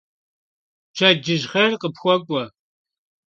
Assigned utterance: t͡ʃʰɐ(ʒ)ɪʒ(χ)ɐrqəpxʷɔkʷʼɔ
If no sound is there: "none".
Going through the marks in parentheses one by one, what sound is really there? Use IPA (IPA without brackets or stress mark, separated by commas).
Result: d͡ʒ, χ